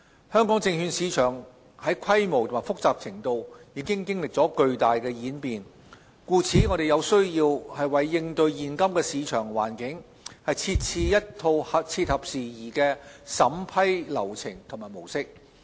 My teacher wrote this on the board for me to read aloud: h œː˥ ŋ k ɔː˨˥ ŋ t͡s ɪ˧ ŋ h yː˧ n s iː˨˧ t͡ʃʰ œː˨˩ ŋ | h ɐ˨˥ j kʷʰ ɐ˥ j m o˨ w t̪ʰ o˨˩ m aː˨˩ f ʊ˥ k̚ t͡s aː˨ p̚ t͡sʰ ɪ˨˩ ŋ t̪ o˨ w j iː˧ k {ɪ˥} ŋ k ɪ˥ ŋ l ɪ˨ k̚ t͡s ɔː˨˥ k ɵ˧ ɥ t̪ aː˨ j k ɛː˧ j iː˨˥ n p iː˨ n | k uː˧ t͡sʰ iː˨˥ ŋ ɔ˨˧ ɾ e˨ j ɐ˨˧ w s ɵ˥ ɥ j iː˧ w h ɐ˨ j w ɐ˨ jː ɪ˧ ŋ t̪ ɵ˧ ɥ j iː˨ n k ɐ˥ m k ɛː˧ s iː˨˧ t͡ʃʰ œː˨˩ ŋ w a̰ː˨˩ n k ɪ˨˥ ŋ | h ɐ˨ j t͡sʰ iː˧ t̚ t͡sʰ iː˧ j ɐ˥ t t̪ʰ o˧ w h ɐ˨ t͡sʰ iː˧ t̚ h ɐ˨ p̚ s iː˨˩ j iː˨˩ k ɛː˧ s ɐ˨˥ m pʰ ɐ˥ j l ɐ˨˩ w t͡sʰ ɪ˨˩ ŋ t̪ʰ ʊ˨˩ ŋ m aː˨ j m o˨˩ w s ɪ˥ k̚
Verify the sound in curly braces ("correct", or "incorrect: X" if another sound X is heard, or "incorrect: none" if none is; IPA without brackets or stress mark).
correct